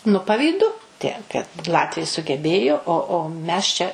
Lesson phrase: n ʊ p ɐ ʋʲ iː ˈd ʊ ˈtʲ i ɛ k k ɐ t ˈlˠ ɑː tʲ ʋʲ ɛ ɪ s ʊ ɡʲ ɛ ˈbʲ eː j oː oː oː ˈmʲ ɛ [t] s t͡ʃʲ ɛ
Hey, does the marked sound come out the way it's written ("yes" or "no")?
no